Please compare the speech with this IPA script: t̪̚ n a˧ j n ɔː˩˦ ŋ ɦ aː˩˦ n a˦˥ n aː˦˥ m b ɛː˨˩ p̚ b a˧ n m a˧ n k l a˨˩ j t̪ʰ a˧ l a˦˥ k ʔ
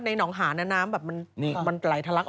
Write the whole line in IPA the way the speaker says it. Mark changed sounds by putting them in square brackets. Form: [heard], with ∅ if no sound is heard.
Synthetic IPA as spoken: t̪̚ n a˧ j n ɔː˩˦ ŋ ɦ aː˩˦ n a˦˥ n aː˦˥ m b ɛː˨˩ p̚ [m] a˧ n m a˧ n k l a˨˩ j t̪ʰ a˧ l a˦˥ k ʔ